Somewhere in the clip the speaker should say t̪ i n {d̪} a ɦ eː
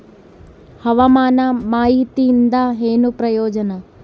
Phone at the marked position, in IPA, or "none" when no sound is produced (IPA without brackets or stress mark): d̪